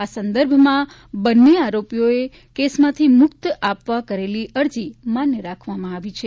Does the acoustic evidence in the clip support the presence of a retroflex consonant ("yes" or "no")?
no